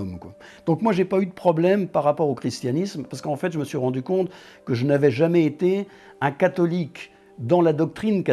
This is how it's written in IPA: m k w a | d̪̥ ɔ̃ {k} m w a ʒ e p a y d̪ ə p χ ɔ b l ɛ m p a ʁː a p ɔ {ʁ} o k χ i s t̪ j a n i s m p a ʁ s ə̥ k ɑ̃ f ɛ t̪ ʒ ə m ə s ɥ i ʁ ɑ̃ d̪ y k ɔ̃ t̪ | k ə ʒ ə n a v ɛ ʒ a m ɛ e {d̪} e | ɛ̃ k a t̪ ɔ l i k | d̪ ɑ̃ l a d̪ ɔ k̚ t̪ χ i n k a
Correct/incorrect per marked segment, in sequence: correct, correct, incorrect: t̪

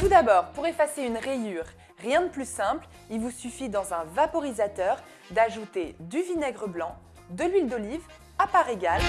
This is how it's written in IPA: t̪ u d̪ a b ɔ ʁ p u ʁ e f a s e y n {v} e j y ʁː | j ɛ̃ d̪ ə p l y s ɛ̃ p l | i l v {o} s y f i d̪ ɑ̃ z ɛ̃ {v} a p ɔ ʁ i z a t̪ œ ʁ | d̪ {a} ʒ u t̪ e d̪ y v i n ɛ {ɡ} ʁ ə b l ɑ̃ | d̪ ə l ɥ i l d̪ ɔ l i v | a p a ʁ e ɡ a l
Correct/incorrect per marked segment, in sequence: incorrect: ʁ, incorrect: u, correct, correct, correct

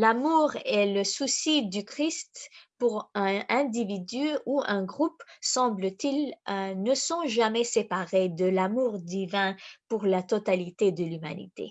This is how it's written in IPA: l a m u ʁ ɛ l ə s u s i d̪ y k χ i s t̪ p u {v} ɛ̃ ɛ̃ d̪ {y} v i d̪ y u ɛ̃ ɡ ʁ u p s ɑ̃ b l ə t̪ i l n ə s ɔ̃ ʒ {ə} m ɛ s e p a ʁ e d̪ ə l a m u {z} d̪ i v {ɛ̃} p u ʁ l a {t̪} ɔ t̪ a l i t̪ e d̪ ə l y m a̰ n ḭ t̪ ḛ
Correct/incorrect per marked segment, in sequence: incorrect: ʁ, incorrect: i, incorrect: a, incorrect: ʁ, correct, correct

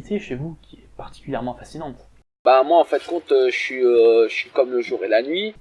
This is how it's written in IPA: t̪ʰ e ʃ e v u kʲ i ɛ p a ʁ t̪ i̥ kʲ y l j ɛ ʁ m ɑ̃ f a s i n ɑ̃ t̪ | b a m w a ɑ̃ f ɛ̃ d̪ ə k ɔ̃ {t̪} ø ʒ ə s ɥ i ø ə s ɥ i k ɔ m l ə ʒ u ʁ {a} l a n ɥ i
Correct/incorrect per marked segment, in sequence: correct, incorrect: e

